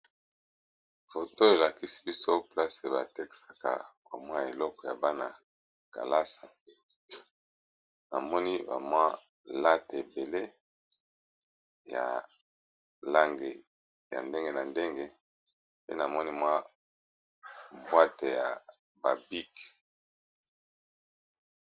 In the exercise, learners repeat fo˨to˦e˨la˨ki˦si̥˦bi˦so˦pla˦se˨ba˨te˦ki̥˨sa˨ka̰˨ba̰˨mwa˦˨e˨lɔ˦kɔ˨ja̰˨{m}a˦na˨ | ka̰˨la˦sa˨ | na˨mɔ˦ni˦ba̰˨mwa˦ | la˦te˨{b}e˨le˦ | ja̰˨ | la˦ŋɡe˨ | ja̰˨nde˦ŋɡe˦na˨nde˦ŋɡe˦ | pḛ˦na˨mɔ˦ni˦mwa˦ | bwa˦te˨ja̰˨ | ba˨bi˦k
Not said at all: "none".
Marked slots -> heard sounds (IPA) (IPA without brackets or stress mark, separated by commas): b, b